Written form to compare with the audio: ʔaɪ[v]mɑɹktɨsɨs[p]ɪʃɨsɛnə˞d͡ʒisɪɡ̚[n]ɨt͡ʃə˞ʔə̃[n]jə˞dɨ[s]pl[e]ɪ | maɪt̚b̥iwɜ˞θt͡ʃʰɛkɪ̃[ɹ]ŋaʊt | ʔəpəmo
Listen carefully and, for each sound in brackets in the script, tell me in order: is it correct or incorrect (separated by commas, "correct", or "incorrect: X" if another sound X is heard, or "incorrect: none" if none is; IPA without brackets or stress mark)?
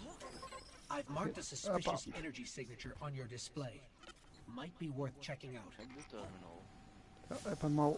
correct, correct, correct, correct, correct, correct, incorrect: none